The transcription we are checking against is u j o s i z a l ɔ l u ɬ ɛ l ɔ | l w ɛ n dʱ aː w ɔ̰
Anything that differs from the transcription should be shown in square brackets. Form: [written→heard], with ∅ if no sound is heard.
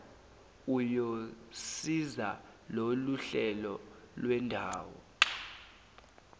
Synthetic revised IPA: u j o s i z a l [ɔ→o] l u ɬ ɛ l ɔ | l w ɛ n dʱ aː w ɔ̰